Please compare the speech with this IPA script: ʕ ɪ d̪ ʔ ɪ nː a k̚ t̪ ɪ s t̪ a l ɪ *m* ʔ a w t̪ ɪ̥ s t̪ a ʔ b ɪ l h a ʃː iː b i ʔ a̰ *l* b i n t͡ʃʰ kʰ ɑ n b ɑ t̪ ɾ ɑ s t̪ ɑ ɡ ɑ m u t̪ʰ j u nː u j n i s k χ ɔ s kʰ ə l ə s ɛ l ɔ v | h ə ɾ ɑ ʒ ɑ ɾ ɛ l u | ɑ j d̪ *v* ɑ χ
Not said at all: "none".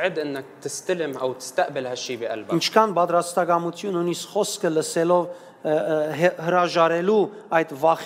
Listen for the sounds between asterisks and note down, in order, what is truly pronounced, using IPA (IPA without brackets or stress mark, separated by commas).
m, l, v